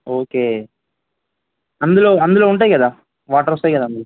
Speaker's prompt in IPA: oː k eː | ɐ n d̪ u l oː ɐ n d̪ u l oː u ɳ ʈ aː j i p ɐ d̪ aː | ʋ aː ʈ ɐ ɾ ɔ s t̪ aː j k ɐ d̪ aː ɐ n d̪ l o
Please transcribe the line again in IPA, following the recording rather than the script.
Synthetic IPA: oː k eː | ɐ n d̪ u l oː ɐ n d̪ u l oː u ɳ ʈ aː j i k ɐ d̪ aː | ʋ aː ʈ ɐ ɾ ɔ s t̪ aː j k ɐ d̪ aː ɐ n d̪ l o